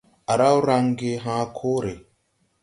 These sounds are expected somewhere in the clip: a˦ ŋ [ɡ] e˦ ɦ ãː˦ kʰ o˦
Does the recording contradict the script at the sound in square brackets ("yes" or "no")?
no